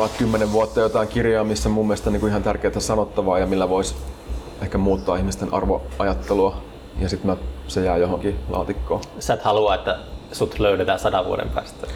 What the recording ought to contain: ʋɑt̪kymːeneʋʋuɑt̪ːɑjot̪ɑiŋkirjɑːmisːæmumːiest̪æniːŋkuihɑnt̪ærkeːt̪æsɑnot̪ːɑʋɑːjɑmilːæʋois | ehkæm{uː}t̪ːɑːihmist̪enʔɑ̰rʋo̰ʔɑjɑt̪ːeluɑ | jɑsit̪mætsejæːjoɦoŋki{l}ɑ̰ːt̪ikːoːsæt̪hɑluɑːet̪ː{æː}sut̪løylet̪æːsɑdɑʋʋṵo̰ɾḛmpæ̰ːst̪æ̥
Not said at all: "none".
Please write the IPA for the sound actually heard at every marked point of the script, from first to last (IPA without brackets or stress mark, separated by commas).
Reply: uː, l, æ